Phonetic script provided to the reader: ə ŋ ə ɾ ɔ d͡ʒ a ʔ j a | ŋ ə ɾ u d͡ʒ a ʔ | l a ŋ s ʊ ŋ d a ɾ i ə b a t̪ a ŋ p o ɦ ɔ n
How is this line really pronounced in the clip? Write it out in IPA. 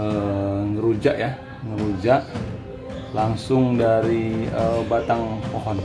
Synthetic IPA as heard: ə ŋ ə ɾ u d͡ʒ a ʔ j a | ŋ ə ɾ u d͡ʒ a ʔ | l a ŋ s ʊ ŋ d a ɾ i ə b a t̪ a ŋ p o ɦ ɔ n